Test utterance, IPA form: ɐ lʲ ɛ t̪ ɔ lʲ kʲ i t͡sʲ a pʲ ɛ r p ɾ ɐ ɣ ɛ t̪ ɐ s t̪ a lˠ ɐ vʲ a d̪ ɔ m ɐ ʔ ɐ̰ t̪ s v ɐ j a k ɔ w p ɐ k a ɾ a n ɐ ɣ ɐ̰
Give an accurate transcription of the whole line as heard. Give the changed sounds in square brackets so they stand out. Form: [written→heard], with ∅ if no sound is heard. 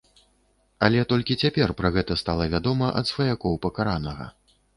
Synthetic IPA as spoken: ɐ lʲ ɛ t̪ ɔ lʲ kʲ i t͡sʲ a pʲ ɛ r p ɾ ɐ ɣ ɛ t̪ ɐ s t̪ a lˠ ɐ vʲ a d̪ ɔ m ɐ ʔ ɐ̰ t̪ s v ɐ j a k ɔ w p ɐ k a ɾ a n ɐ ɣ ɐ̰